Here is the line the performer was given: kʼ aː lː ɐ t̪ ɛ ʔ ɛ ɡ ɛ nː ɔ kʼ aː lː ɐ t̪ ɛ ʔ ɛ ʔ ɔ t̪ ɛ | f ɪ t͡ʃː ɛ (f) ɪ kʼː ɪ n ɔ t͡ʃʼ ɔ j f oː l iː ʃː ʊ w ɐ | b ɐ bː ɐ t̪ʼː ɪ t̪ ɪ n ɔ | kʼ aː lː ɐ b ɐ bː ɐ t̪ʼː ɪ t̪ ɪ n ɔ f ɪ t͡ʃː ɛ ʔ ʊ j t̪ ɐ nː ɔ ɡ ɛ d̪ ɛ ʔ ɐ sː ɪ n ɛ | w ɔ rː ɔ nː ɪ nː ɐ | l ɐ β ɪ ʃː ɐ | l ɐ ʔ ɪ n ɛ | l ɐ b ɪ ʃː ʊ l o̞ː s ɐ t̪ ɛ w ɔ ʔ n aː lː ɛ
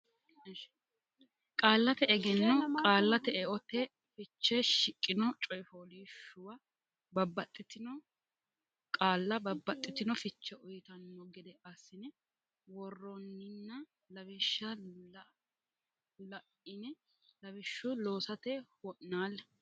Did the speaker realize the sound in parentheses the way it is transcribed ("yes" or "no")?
no